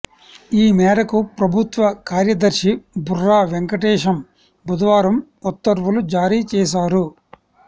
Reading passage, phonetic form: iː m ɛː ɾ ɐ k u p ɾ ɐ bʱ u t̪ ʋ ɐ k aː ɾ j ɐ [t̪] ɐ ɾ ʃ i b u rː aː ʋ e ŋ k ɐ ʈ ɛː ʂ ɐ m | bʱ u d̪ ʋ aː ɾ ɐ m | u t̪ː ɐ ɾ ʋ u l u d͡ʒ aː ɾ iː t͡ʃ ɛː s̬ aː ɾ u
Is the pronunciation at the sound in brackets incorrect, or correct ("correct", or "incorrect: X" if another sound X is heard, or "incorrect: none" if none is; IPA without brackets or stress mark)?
incorrect: d̪